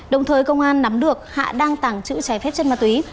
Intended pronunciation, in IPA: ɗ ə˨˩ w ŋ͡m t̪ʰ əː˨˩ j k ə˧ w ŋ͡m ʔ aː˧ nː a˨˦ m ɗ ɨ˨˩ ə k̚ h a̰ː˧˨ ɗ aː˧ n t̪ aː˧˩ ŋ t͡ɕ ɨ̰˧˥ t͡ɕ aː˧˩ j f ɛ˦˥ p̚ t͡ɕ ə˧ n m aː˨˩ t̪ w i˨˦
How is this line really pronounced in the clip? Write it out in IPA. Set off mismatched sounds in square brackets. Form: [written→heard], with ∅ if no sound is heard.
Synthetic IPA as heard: ɗ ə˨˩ w ŋ͡m t̪ʰ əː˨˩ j k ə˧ w ŋ͡m ʔ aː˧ nː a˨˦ m ɗ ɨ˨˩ ə k̚ h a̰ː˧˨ ɗ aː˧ [n→ŋ] t̪ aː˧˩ ŋ t͡ɕ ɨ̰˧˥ t͡ɕ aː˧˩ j f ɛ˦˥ p̚ t͡ɕ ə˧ n m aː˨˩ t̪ w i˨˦